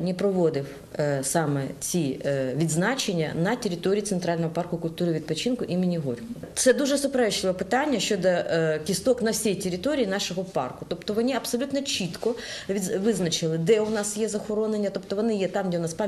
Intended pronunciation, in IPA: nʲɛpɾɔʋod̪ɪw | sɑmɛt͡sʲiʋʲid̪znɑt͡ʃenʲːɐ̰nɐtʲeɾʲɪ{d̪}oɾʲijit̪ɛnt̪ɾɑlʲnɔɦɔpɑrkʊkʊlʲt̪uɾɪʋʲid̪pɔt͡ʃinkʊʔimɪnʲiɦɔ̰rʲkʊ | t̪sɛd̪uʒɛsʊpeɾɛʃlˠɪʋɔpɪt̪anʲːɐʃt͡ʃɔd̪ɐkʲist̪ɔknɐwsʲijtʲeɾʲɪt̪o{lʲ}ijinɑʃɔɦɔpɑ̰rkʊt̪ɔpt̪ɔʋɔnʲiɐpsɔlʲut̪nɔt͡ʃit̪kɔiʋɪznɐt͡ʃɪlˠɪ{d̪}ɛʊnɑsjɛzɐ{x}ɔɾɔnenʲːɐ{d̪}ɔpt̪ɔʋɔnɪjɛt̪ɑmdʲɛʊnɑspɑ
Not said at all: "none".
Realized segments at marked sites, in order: t̪, ɾʲ, d̪, x, t̪

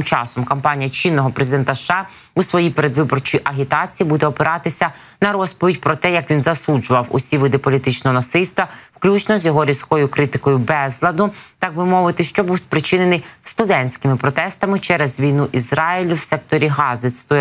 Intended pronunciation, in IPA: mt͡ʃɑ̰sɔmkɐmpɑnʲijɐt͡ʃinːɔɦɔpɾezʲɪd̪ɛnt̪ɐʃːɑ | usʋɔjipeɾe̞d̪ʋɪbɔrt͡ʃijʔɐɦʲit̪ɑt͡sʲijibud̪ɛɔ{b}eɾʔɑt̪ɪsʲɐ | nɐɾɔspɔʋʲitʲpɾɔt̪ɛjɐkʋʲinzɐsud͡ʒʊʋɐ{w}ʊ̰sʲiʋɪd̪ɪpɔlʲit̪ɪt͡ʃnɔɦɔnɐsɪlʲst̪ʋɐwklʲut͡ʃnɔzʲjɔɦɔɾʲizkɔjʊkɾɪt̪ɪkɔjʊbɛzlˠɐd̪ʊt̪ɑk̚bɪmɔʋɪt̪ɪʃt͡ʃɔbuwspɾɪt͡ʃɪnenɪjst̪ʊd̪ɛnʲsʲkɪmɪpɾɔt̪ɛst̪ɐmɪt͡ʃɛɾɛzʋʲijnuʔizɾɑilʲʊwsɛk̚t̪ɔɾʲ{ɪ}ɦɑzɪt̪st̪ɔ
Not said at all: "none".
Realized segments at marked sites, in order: p, w, i

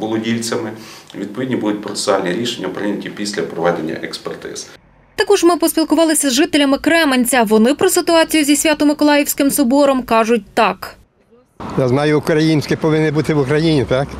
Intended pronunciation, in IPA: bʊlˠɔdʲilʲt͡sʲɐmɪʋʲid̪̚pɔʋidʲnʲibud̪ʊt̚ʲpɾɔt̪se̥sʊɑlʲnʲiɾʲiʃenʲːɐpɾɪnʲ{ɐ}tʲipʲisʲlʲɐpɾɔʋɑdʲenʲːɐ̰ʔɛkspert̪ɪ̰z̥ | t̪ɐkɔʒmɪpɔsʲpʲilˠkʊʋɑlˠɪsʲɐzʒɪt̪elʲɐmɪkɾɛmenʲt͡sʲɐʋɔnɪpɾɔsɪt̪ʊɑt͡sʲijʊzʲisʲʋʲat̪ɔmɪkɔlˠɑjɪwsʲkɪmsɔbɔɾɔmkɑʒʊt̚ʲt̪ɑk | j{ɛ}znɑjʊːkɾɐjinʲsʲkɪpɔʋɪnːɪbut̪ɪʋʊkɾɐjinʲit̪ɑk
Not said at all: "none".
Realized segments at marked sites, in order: ɐ, a

